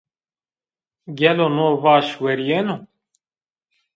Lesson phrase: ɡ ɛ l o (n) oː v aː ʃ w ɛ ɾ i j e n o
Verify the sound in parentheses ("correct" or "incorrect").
correct